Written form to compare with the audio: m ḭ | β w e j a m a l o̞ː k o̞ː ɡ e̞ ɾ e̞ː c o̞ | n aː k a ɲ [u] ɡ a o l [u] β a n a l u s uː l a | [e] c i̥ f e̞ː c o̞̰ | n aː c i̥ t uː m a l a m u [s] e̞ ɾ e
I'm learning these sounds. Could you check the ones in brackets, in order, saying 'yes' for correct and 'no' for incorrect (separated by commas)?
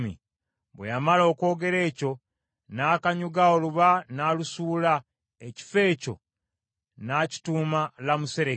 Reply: yes, yes, yes, yes